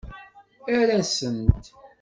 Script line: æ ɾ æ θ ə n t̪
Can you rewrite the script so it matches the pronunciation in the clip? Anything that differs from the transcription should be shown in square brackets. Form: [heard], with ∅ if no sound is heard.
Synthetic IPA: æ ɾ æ [s] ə n t̪